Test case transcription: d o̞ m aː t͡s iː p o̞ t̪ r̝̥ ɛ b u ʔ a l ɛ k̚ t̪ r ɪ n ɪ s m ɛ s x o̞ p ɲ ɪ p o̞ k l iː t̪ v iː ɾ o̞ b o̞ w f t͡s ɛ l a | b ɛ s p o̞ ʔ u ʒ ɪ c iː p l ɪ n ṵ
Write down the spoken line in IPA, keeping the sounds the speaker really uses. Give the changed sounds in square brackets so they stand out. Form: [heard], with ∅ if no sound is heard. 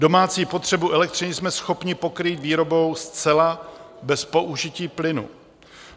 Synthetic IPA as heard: d o̞ m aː t͡s iː p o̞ t̪ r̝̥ ɛ b u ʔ [ɛ] l ɛ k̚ t̪ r ɪ n ɪ s m ɛ s x o̞ p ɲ ɪ p o̞ k [ɾ] iː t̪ v iː ɾ o̞ b o̞ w [s] t͡s ɛ l a | b ɛ s p o̞ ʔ u ʒ ɪ c iː p l ɪ n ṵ